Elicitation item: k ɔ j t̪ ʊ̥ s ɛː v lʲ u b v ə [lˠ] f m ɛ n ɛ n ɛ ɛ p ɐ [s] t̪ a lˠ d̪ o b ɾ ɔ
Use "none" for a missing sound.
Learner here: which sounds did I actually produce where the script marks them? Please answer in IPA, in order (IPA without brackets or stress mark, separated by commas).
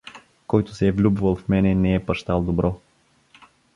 lˠ, ʃ